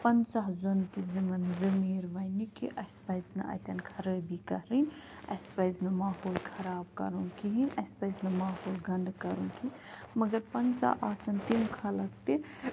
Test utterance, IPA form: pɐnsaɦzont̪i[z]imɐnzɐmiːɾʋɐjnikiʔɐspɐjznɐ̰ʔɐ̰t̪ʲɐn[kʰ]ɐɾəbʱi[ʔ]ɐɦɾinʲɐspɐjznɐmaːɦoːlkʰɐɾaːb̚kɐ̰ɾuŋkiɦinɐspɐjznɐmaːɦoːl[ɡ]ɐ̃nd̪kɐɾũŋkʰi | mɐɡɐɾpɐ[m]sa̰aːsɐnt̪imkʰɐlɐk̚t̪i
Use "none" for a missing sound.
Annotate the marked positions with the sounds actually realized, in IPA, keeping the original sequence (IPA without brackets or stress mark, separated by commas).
z, kʰ, k, ɡ, n